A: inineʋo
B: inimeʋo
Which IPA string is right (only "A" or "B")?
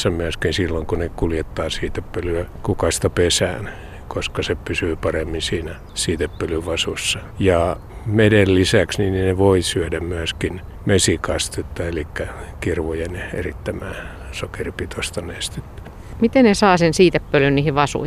A